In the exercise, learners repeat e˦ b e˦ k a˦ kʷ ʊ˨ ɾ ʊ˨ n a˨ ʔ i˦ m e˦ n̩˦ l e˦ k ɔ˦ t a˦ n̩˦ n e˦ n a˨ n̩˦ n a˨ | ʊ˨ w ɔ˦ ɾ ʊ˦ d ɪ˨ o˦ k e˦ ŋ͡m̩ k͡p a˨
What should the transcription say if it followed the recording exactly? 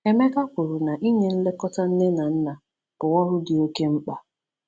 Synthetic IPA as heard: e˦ m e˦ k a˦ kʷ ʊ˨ ɾ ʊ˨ n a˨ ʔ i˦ ɲ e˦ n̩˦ l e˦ k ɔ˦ t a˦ n̩˦ n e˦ n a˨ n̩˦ n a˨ | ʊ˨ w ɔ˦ ɾ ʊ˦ d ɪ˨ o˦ k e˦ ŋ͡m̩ k͡p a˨